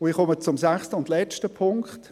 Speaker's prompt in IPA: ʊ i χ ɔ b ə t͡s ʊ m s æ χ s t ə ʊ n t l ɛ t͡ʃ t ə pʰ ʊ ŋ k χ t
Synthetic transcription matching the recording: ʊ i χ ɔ m ə t͡s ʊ m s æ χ s t ə ʊ n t l ɛ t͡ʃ t ə pʰ ʊ ŋ k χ t